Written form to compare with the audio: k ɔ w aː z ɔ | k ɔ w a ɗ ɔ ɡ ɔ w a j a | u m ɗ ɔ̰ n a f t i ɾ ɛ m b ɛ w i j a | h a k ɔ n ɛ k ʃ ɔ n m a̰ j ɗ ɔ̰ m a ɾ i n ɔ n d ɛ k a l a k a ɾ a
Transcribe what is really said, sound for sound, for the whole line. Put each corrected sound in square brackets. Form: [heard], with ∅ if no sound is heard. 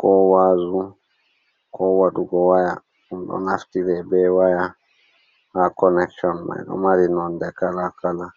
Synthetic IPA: k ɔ w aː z [u] | k ɔ w a ɗ [u] ɡ ɔ w a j a | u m ɗ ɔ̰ n a f t i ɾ ɛ [∅] b ɛ w [a] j a | h a k ɔ n ɛ k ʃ ɔ n m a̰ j ɗ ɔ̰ m a ɾ i n ɔ n d ɛ k a l a k a [l] a